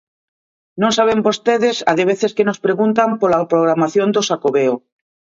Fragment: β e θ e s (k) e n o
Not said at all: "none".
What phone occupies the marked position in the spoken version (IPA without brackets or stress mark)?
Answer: k